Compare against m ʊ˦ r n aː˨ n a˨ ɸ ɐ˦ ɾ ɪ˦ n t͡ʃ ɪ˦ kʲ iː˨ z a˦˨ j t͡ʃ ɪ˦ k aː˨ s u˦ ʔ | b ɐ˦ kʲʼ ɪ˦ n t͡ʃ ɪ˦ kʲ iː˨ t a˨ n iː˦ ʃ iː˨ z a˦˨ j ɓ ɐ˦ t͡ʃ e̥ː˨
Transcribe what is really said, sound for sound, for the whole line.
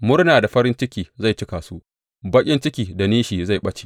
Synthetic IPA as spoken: m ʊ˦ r n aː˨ d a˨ ɸ ɐ˦ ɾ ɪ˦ n t͡ʃ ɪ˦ kʲ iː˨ z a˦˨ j t͡ʃ ɪ˦ k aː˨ s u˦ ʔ | b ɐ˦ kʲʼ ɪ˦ n t͡ʃ ɪ˦ kʲ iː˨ d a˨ n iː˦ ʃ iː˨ z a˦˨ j ɓ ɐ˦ t͡ʃ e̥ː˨